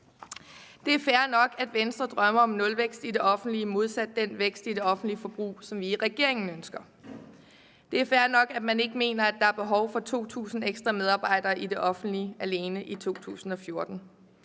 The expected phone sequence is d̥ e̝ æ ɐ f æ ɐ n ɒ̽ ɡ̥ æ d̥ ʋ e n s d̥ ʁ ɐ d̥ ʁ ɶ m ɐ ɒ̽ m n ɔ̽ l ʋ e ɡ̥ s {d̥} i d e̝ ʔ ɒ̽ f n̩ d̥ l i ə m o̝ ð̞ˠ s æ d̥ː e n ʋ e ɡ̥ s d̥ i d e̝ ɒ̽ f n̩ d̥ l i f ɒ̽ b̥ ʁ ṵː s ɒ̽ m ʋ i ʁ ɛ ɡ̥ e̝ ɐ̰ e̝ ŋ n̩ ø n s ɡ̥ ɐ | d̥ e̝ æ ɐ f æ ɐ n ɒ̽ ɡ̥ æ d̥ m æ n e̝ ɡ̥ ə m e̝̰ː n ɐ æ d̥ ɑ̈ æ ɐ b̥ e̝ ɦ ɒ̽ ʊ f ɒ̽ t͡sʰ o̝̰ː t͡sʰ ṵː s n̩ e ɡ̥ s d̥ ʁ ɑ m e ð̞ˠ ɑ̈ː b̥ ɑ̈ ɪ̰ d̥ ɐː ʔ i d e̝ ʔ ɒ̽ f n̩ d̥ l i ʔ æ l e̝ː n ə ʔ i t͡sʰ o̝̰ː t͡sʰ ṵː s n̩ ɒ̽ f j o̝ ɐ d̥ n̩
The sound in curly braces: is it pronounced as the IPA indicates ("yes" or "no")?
yes